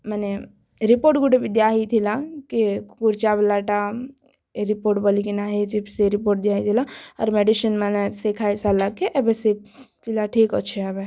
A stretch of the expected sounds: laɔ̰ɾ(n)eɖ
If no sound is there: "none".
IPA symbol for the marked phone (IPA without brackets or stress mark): m